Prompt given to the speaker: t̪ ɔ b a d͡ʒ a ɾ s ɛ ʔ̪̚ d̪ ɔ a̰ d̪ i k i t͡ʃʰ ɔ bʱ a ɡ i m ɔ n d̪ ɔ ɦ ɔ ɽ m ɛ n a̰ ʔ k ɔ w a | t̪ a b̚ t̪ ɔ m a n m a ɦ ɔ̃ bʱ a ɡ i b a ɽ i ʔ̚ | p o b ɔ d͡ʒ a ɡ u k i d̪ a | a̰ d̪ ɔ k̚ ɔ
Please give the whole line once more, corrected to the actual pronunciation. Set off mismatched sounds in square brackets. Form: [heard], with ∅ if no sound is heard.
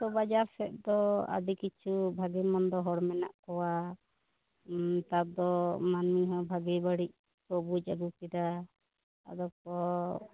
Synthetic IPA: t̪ ɔ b a d͡ʒ a ɾ s ɛ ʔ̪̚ d̪ ɔ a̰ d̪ i k i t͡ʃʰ [u] bʱ a ɡ i m ɔ n d̪ ɔ ɦ ɔ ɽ m ɛ n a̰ ʔ k ɔ w a | t̪ a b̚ [d̪] ɔ m a n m [i] ɦ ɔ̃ bʱ a ɡ i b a ɽ i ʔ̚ | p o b [u] d͡ʒ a ɡ u k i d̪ a | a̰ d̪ ɔ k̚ ɔ